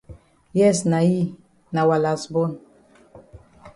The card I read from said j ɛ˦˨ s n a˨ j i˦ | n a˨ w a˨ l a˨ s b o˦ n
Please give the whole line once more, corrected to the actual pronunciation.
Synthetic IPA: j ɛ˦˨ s n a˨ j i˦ | n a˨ w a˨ l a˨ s b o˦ n